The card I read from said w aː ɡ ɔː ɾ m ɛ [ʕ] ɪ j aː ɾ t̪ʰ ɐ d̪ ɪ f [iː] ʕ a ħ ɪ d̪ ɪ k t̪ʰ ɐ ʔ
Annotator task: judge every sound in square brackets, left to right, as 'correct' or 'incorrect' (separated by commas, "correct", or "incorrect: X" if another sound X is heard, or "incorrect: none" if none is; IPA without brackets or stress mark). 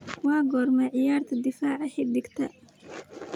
correct, incorrect: aː